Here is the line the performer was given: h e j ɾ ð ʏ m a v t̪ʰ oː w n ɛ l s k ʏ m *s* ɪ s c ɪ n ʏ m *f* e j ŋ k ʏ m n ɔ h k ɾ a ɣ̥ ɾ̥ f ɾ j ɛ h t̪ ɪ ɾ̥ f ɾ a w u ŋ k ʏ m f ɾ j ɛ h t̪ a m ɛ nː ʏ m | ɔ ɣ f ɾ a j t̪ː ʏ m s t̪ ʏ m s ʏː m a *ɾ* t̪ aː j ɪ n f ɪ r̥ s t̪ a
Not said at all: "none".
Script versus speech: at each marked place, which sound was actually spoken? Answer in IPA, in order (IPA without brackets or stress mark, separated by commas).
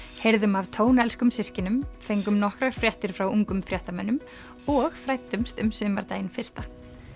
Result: s, f, ɾ